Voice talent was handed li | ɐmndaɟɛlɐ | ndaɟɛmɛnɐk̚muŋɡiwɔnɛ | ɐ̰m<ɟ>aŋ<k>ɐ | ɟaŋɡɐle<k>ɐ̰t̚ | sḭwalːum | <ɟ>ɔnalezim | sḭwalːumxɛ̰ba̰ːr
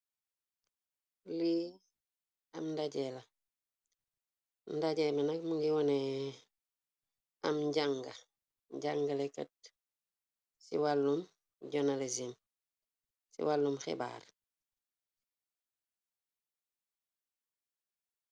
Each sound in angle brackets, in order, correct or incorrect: correct, incorrect: ɡ, correct, correct

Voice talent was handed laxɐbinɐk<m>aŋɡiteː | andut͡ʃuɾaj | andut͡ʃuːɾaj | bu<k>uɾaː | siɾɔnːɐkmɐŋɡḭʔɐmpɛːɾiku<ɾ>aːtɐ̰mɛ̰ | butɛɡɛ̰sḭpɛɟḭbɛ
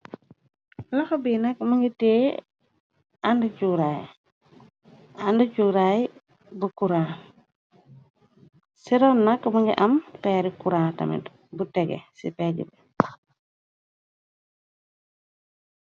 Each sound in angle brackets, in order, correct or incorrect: correct, correct, correct

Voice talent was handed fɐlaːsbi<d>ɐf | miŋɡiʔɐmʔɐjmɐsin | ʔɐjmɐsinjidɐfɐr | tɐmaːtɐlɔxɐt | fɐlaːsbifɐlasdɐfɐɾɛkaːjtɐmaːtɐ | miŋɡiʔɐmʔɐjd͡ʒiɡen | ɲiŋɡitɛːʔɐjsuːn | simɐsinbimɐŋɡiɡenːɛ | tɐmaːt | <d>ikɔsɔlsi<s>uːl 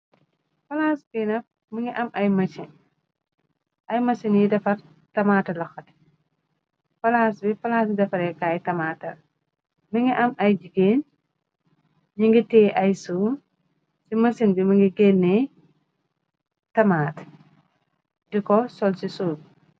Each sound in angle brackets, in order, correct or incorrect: incorrect: n, correct, correct

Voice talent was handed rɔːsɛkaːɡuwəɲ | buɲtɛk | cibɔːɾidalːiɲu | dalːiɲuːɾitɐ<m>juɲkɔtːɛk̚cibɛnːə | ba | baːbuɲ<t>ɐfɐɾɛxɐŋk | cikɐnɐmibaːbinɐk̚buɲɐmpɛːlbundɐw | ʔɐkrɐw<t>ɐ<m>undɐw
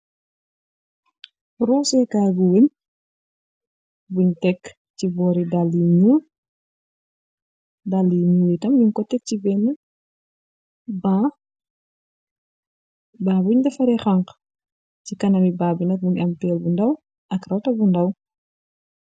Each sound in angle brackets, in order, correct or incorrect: correct, incorrect: d, correct, incorrect: b

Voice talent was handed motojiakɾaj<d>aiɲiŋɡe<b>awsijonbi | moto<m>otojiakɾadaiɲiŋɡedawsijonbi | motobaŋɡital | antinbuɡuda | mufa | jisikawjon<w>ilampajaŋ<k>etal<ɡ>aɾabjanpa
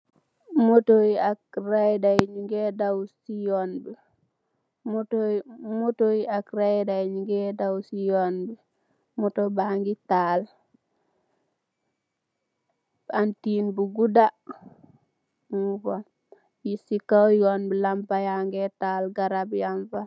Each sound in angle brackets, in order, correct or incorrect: correct, incorrect: d, correct, incorrect: b, incorrect: ɡ, correct

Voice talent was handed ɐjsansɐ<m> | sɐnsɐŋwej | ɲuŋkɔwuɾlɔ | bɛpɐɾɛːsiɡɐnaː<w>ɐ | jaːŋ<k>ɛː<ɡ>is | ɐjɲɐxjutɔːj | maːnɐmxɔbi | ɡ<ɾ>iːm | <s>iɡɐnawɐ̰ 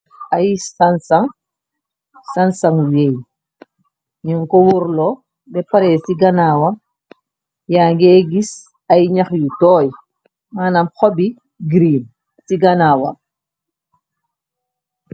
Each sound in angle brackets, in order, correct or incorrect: incorrect: ŋ, correct, incorrect: ɡ, correct, correct, correct

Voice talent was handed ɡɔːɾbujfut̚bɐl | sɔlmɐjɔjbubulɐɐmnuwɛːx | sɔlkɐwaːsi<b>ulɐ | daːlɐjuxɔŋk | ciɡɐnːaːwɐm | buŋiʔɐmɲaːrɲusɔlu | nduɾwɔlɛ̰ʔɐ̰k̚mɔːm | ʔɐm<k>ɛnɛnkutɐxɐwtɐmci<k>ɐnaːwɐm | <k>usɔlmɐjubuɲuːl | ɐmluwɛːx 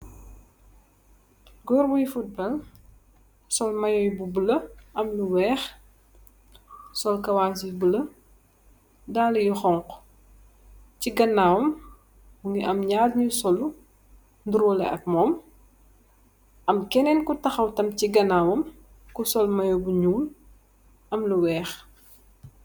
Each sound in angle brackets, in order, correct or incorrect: correct, correct, incorrect: ɡ, correct

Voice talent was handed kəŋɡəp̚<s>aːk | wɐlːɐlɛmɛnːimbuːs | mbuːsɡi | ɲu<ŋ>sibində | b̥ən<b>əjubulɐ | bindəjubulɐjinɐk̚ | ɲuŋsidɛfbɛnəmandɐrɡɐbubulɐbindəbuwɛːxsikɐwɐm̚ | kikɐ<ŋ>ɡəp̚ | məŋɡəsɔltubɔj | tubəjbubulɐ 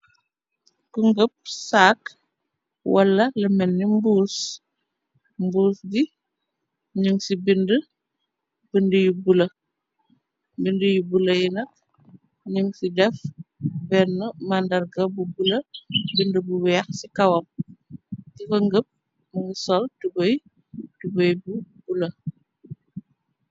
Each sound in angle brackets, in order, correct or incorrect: correct, correct, incorrect: d, correct

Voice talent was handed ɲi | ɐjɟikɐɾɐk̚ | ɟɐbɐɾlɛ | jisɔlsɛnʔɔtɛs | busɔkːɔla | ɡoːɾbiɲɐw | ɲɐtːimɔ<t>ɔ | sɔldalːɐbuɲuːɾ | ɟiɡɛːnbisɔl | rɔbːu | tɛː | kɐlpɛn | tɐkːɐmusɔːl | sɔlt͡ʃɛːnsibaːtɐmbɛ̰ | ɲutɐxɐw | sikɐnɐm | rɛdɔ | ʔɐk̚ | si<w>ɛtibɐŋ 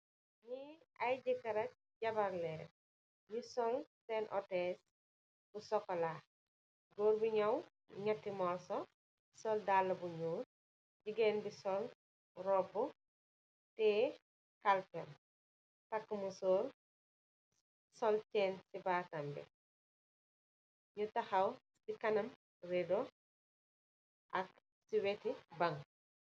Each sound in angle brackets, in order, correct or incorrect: incorrect: s, correct

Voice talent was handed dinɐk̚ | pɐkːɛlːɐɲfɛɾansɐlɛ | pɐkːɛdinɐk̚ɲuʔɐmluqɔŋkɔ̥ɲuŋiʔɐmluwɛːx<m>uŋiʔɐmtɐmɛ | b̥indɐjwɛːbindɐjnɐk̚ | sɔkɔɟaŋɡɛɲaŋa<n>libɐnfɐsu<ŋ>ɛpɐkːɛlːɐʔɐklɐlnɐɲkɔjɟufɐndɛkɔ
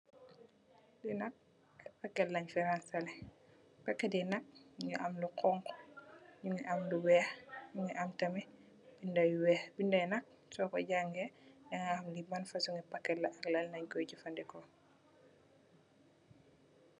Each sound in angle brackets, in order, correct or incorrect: incorrect: ɲ, incorrect: m, correct

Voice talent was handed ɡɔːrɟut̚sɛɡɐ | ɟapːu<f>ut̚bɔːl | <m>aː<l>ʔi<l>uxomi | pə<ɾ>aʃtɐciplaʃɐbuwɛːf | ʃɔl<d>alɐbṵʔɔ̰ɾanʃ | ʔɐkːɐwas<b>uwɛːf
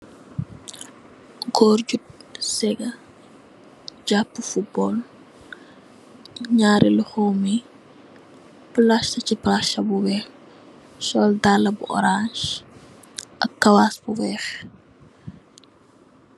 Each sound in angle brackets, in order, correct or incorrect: correct, incorrect: ɲ, incorrect: ɾ, correct, incorrect: l, correct, correct

